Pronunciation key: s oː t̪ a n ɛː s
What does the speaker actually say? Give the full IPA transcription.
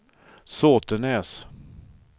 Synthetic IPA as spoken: s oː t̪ ə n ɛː s